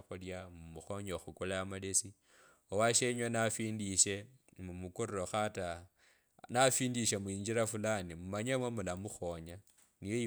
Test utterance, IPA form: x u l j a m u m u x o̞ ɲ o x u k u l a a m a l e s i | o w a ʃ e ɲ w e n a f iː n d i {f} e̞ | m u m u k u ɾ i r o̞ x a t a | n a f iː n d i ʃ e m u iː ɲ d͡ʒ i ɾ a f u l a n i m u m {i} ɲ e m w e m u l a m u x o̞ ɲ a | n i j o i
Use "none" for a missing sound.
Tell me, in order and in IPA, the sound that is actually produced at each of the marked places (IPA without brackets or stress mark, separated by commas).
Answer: ʃ, a